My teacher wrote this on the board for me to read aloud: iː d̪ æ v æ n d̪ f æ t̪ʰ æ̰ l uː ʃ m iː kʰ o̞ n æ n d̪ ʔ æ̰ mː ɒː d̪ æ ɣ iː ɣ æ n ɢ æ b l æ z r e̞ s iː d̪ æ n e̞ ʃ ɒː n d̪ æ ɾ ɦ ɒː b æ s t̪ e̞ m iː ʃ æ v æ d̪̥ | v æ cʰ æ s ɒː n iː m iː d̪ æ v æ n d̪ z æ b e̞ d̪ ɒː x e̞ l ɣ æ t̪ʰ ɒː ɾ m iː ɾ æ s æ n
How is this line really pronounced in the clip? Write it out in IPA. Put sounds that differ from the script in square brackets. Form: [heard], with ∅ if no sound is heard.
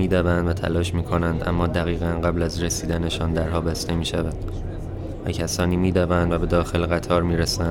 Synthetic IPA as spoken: iː d̪ æ v æ n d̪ [v] æ t̪ʰ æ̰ l [ɒː] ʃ m iː kʰ o̞ n æ n d̪ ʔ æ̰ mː ɒː d̪ æ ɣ iː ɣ æ n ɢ æ b l æ z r e̞ s iː d̪ æ n e̞ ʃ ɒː n d̪ æ ɾ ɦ ɒː b æ s t̪ e̞ m iː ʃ æ v æ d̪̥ | v æ cʰ æ s ɒː n iː m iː d̪ æ v æ n d̪ [v] æ b e̞ d̪ ɒː x e̞ l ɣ æ t̪ʰ ɒː ɾ m iː ɾ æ s æ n